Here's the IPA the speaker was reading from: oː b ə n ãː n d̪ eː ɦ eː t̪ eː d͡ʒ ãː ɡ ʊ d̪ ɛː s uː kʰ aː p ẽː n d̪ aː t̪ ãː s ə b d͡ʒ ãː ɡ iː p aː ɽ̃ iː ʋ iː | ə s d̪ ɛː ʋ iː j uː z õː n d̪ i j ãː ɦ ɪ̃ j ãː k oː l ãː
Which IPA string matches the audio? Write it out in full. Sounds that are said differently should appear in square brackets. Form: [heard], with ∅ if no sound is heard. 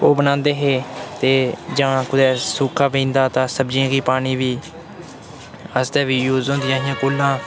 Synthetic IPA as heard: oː b ə n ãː n d̪ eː ɦ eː t̪ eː d͡ʒ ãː [k] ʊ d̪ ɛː s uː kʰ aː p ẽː n d̪ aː t̪ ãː s ə b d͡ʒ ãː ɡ iː p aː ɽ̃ iː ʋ iː | ə s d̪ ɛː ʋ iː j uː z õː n d̪ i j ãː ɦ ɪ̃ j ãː k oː l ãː